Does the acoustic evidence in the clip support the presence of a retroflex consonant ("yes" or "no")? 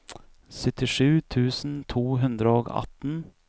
yes